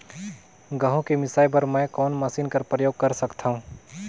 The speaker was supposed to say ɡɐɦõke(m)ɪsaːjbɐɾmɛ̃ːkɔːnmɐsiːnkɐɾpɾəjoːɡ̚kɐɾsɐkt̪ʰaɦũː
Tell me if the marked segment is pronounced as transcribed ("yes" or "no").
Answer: yes